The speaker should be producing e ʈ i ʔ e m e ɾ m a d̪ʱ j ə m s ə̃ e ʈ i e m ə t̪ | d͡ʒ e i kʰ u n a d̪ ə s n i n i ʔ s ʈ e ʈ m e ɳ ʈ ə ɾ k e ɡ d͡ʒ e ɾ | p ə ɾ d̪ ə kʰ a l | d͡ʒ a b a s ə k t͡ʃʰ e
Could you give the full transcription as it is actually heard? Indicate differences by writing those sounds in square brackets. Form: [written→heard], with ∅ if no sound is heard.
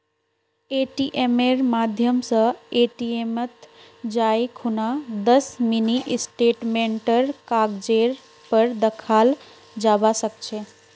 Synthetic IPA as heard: e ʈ i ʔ e m e ɾ m a d̪ʱ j ə m s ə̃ e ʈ i e m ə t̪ | d͡ʒ [e→a] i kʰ u n a d̪ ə s [n→m] i n i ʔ s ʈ e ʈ m e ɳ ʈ ə ɾ k [e→a] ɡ d͡ʒ e ɾ | p ə ɾ d̪ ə kʰ a l | d͡ʒ a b a s ə k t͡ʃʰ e

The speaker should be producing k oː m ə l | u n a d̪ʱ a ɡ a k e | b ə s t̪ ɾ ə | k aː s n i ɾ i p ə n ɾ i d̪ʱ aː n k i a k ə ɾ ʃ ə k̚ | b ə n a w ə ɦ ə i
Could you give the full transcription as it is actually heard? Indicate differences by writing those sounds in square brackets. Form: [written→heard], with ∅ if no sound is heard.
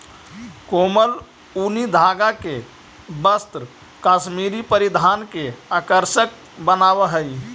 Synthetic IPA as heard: k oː m ə l | u n [a→i] d̪ʱ a ɡ a k e | b ə s t̪ ɾ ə | k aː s [n→m] i ɾ i p ə [n→∅] ɾ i d̪ʱ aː n k [i→e] a k ə ɾ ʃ ə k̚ | b ə n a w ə ɦ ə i

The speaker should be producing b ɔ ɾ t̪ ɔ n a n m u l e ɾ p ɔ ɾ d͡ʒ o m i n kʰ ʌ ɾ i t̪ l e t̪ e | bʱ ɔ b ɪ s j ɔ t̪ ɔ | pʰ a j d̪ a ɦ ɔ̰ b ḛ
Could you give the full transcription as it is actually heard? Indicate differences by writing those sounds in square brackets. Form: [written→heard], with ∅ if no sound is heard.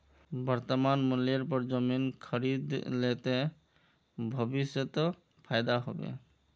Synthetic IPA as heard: b ɔ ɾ t̪ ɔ [n→m] a n m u l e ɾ p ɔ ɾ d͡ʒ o m i n kʰ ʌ ɾ i [t̪→d̪] l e t̪ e | bʱ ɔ b [ɪ→i] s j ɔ t̪ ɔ | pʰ a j d̪ a ɦ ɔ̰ b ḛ

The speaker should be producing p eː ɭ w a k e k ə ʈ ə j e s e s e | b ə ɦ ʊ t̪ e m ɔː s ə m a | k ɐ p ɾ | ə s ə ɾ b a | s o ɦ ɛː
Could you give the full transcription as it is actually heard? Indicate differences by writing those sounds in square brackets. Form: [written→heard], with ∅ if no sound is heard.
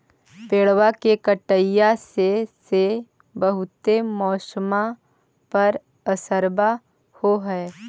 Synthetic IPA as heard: p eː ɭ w a k e k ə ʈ ə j [e→a] s e s e | b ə ɦ ʊ t̪ e m ɔː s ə m a | [k→p] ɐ [p→∅] ɾ | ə s ə ɾ b a | [s→h] o ɦ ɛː

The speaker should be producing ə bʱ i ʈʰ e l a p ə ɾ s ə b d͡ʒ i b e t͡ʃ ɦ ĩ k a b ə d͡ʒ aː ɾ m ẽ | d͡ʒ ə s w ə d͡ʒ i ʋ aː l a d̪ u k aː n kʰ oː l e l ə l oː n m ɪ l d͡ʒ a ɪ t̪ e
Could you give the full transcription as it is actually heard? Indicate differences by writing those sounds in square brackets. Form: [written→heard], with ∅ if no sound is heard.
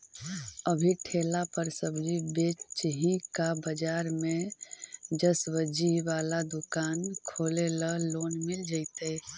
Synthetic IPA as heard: ə bʱ i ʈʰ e l a p ə ɾ s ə b d͡ʒ i b e t͡ʃ ɦ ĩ k a b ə d͡ʒ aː ɾ m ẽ | d͡ʒ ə s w ə d͡ʒ i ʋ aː l a d̪ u k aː n kʰ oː l e l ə l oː n m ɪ l d͡ʒ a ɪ t̪ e

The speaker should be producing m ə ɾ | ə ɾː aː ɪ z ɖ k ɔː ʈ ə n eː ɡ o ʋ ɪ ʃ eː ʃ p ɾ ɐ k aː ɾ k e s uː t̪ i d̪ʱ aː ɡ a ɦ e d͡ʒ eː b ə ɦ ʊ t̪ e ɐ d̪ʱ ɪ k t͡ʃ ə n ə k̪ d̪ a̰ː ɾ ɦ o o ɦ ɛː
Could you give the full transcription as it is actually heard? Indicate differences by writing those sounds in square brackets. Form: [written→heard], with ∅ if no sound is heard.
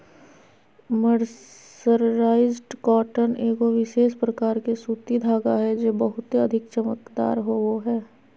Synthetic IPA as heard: m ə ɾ | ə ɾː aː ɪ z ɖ k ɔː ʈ ə n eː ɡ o ʋ ɪ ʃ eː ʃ p ɾ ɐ k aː ɾ k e s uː t̪ i d̪ʱ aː ɡ a ɦ [e→ɛ] d͡ʒ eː b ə ɦ ʊ t̪ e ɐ d̪ʱ ɪ k t͡ʃ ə [n→m] ə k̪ d̪ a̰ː ɾ ɦ o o ɦ ɛː

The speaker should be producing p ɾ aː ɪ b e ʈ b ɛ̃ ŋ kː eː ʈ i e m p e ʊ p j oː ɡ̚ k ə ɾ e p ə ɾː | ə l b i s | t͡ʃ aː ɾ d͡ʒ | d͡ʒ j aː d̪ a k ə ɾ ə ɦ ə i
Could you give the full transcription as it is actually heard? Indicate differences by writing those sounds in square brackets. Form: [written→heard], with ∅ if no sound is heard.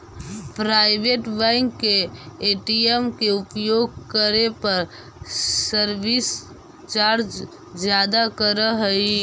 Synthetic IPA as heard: p ɾ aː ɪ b e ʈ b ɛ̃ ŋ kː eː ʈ i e m [p→k] e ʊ p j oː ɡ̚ k ə ɾ e p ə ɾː | ə [l→ɾ] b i s | t͡ʃ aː ɾ d͡ʒ | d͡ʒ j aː d̪ a k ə ɾ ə ɦ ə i

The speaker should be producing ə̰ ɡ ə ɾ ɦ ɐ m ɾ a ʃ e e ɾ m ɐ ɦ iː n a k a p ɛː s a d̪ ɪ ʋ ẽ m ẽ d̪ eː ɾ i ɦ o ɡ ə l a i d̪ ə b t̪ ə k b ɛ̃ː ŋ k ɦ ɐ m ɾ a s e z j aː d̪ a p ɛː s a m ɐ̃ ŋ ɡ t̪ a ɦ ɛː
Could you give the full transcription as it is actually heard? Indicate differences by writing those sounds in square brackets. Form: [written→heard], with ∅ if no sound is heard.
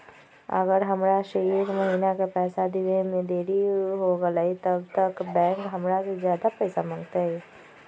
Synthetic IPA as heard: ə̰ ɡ ə ɾ ɦ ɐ m ɾ a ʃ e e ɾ m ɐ ɦ iː n a k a p ɛː s a d̪ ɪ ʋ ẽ m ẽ d̪ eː ɾ i ɦ o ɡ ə l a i [d̪→t̪] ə b t̪ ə k b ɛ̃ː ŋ k ɦ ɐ m ɾ a s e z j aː d̪ a p ɛː s a m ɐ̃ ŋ ɡ t̪ a ɦ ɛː

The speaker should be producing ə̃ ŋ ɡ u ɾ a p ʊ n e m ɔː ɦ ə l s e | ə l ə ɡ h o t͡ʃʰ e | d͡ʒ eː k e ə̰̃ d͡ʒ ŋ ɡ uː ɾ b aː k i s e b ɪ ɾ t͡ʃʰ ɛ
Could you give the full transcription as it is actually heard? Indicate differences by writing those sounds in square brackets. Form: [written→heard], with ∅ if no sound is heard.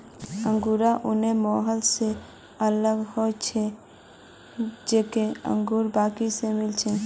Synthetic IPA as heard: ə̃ ŋ ɡ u ɾ a [p→ʔ] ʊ n e m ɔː ɦ ə l s e | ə l ə ɡ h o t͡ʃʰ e | d͡ʒ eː k e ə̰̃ [d͡ʒ→∅] ŋ ɡ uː ɾ b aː k i s e [b→m] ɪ [ɾ→l] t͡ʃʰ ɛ

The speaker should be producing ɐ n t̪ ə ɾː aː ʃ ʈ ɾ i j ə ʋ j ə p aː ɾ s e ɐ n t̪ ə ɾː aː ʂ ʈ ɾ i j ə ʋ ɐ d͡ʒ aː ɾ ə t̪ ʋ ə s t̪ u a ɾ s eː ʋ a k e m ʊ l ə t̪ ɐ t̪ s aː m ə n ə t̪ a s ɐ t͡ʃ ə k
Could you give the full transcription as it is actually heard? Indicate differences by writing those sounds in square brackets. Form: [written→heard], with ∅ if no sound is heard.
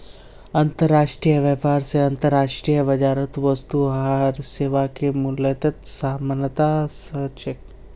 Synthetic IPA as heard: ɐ n t̪ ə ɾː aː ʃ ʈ ɾ i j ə ʋ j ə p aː ɾ s e ɐ n t̪ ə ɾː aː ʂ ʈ ɾ i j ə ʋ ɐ d͡ʒ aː ɾ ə t̪ ʋ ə s t̪ u a ɾ s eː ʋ a k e m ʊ l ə t̪ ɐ t̪ s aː m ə n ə t̪ a s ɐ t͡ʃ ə k

